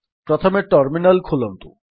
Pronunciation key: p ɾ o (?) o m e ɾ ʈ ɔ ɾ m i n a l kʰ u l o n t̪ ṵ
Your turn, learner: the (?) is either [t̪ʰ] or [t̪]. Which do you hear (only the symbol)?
t̪ʰ